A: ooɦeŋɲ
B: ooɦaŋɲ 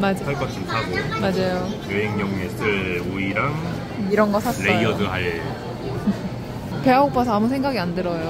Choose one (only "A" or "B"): A